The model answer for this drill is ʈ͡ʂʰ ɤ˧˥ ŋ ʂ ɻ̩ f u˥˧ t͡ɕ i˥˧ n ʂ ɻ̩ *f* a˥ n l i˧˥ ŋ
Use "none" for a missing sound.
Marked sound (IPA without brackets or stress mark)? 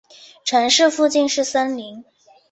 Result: s